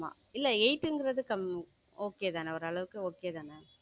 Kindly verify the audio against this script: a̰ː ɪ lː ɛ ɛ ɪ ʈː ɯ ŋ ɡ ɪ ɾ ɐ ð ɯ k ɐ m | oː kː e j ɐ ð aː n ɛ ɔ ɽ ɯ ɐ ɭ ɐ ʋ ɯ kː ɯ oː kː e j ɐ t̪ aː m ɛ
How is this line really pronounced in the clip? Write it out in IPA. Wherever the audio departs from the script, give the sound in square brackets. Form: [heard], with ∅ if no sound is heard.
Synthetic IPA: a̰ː ɪ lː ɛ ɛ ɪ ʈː ɯ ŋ ɡ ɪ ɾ ɐ ð ɯ k ɐ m | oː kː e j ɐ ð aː n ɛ ɔ [ɾ] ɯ ɐ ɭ ɐ ʋ ɯ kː ɯ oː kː e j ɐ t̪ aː [n] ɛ